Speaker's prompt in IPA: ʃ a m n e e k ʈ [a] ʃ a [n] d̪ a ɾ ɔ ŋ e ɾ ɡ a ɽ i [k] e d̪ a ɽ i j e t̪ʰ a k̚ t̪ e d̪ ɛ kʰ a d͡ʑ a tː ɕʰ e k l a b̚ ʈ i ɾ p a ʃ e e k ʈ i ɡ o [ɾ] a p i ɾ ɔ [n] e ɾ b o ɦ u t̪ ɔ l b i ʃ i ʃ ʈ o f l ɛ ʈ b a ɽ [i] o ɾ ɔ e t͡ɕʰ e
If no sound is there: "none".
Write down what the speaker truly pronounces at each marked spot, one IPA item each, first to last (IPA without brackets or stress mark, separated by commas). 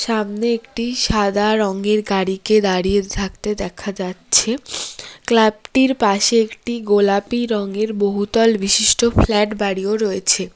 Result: i, none, k, l, ŋ, i